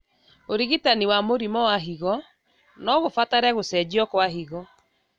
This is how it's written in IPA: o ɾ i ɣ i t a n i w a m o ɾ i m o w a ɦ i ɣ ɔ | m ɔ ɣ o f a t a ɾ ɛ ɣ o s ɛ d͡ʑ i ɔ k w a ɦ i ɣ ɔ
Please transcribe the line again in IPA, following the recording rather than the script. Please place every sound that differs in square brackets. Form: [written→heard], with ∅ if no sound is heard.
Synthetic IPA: o ɾ i ɣ i t a n i w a m o ɾ i m [o→ɔ] w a ɦ i ɣ ɔ | [m→n] ɔ ɣ o f a t a ɾ ɛ ɣ o s ɛ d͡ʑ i ɔ k w a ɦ i ɣ ɔ

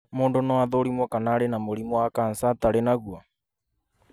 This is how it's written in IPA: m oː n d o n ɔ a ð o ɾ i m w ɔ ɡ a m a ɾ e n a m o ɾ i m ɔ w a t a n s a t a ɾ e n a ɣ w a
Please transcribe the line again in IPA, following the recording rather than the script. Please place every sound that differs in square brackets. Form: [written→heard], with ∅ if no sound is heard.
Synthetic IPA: m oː n d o n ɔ a ð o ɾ i m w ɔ [ɡ→k] a [m→n] a ɾ e n a m o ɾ i m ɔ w a [t→k] a n s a t a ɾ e n a ɣ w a

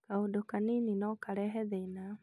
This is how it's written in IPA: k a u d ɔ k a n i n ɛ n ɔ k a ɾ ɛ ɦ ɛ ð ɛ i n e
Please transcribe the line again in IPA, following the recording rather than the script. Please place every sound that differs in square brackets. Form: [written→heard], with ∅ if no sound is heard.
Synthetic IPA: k a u d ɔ k a n i n [ɛ→i] n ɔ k a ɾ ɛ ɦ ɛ ð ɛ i n [e→a]

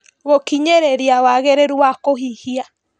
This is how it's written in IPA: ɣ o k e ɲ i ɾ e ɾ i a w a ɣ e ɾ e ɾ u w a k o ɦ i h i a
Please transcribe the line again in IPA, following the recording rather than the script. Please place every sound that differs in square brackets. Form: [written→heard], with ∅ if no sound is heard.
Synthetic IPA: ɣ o k [e→i] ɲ [i→e] ɾ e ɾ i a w a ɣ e ɾ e ɾ u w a k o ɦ i h i a

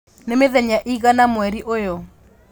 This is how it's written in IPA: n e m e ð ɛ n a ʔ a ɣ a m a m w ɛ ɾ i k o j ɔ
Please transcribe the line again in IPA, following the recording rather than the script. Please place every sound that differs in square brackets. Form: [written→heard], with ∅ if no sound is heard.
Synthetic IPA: n e m e ð ɛ [n→ɲ] a ʔ [a→i] ɣ a [m→n] a m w ɛ ɾ i [k→ʔ] o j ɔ

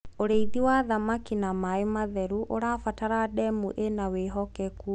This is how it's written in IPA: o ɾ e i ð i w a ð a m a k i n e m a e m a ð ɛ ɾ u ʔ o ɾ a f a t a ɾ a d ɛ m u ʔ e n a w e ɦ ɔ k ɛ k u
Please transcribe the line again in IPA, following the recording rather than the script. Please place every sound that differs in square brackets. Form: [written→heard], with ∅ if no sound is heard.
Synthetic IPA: o ɾ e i ð i w a ð a m a k i n [e→a] m a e m a ð ɛ ɾ u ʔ o ɾ a f a t a ɾ a d ɛ m u ʔ e n a w e ɦ ɔ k ɛ k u

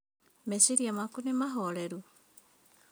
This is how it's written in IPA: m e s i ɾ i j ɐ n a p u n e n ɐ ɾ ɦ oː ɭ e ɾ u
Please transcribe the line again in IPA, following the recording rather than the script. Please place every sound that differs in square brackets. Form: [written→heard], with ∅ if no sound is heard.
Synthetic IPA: m e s i ɾ i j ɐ [n→m] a [p→k] u n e [n→m] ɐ [ɾ→∅] ɦ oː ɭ e ɾ u

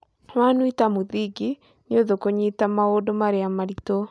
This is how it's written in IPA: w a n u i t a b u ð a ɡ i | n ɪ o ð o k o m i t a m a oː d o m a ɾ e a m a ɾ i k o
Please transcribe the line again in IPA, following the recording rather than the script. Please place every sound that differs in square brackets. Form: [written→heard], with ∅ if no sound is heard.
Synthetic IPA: w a n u i t a [b→m] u ð [a→i] ɡ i | n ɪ o ð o k o [m→ɲ] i t a m a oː d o m a ɾ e a m a ɾ i [k→t] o

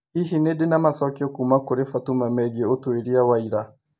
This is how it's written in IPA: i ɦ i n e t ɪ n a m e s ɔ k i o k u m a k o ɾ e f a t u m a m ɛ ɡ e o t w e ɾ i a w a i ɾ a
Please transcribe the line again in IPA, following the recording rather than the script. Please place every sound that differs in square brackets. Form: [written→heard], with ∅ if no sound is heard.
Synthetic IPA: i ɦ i n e [t→d] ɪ n a m [e→a] s ɔ k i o k u m a k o ɾ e f a t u m a m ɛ ɡ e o t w e ɾ i a w a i ɾ a

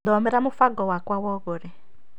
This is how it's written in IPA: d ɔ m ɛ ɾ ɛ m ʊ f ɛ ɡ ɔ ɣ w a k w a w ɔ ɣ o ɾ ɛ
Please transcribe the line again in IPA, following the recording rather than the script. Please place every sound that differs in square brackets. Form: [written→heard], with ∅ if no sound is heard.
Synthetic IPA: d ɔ m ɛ ɾ [ɛ→a] m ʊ f [ɛ→a] ɡ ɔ [ɣ→∅] w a k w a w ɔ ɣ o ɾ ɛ

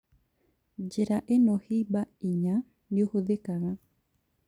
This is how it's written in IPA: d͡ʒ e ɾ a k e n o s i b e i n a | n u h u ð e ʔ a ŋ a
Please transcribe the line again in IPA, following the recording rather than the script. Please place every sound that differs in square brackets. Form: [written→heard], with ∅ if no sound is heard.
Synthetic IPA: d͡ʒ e ɾ a [k→ʔ] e n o [s→h] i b [e→a] i [n→ɲ] a | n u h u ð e [ʔ→k] a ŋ a

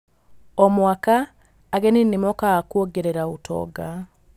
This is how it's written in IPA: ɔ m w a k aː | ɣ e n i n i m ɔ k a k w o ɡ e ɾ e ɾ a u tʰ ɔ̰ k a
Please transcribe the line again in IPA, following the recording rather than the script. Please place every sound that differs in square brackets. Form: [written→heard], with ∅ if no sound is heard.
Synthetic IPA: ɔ m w a k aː | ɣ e n i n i m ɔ k a k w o ɡ e ɾ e ɾ a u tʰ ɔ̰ [k→ɡ] a

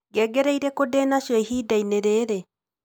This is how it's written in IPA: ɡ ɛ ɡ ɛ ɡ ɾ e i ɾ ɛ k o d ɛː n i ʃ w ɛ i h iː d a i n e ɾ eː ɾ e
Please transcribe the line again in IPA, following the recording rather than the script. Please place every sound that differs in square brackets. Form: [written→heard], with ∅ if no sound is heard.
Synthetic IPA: ɡ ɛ ɡ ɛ [ɡ→∅] ɾ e i ɾ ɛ k o d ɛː n [i→a] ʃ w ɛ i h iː d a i n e ɾ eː ɾ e

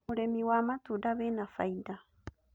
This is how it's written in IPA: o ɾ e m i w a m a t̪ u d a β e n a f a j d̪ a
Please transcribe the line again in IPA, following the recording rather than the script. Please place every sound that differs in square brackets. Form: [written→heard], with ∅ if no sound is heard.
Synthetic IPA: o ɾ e m i w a m a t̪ u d a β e n a f a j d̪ a

